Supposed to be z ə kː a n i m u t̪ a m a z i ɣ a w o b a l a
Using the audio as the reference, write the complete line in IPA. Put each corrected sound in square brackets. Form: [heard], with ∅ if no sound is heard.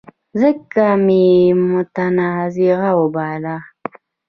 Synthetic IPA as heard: z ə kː a [m] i m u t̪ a [n] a z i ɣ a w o b a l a

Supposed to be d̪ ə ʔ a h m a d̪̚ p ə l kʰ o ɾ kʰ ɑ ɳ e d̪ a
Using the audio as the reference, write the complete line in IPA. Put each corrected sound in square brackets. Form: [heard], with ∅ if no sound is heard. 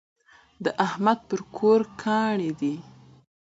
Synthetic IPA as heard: d̪ ə ʔ a h m a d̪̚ p ə [ɾ] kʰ o ɾ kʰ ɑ ɳ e d̪ [i]

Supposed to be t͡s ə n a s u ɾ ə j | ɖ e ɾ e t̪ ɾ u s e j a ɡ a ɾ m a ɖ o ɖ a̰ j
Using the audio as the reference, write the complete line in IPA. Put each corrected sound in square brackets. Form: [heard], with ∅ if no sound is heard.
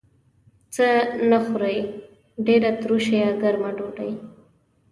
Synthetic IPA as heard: t͡s ə n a [x] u ɾ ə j | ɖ e ɾ [a] t̪ ɾ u [ʃ] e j a ɡ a ɾ m a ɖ o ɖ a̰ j

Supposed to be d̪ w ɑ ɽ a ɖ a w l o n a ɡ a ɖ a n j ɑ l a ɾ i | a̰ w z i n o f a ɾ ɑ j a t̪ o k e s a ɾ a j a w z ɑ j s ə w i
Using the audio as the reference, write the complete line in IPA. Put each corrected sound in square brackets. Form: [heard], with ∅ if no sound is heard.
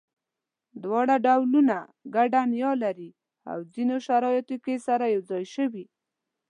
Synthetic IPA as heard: d̪ w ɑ ɽ a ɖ a w l [u] n a ɡ a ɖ a n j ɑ l a ɾ i | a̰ w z i n o [ʃ] a ɾ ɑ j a t̪ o k e s a ɾ a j a w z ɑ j [ʃ] ə w i

